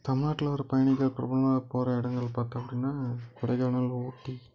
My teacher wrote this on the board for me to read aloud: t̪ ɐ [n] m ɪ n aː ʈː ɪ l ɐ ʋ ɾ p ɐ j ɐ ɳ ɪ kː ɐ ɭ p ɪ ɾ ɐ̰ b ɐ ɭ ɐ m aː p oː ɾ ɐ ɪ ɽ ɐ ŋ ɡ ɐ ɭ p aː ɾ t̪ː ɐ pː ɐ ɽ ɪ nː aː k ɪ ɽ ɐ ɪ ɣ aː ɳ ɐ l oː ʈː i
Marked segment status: incorrect: none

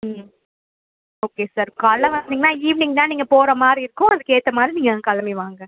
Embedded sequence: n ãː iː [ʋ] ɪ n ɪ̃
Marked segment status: correct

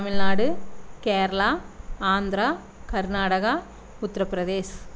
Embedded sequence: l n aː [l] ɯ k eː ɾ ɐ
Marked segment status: incorrect: ɽ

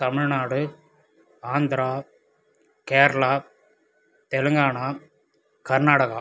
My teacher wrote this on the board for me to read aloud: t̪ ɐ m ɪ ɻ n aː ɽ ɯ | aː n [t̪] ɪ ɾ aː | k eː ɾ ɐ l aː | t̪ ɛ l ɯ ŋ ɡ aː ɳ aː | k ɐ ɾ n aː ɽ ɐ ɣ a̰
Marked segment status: incorrect: d̪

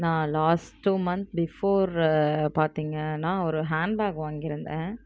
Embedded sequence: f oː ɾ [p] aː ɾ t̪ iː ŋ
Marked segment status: correct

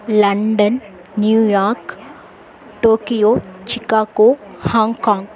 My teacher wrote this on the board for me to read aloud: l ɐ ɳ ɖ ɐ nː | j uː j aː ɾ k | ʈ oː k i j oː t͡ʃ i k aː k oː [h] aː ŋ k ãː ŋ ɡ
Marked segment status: correct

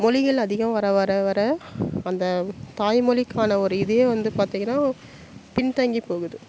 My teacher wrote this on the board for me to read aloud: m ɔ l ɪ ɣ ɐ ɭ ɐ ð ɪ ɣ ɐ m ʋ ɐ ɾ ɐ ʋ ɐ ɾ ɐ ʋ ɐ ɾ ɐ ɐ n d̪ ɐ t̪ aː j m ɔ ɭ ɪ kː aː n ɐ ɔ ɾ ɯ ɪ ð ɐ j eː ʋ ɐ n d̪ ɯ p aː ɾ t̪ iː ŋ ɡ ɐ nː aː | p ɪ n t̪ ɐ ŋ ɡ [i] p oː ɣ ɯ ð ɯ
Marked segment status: correct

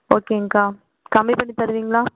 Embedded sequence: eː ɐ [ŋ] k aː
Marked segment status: correct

